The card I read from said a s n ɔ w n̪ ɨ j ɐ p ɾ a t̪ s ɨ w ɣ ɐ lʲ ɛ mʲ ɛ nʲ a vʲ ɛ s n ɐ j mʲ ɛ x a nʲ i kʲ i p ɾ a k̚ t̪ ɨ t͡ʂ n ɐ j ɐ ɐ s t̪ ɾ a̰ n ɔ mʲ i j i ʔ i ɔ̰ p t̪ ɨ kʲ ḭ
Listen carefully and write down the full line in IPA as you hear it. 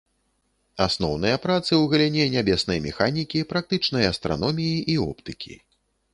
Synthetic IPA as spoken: a s n ɔ w n̪ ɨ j ɐ p ɾ a t̪ s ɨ w ɣ ɐ lʲ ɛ nʲ ɛ nʲ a bʲ ɛ s n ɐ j mʲ ɛ x a nʲ i kʲ i p ɾ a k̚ t̪ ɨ t͡ʂ n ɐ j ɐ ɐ s t̪ ɾ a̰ n ɔ mʲ i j i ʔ i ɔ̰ p t̪ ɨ kʲ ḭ